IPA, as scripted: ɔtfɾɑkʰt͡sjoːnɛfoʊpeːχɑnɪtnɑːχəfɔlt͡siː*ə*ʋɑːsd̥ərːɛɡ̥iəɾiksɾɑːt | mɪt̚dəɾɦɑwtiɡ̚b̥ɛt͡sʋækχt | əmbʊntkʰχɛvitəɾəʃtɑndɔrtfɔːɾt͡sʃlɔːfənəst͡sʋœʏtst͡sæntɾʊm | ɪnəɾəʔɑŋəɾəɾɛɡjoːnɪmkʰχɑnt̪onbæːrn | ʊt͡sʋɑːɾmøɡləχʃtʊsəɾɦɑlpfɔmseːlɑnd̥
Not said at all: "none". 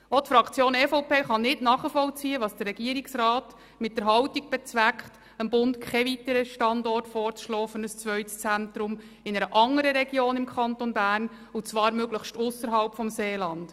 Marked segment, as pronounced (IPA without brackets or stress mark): ə